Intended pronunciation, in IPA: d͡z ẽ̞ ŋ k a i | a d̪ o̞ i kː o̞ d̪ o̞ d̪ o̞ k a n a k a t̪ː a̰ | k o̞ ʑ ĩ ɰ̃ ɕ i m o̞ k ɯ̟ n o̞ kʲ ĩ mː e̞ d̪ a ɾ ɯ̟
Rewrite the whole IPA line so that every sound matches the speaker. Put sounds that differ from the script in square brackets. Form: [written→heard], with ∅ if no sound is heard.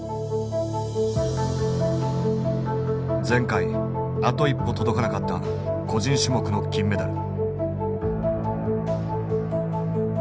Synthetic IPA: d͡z ẽ̞ ŋ k a i | a [d̪→t̪] o̞ i [kː→pː] o̞ [d̪→t̪] o̞ d̪ o̞ k a n a k a t̪ː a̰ | k o̞ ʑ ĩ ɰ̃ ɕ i m o̞ k ɯ̟ n o̞ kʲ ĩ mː e̞ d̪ a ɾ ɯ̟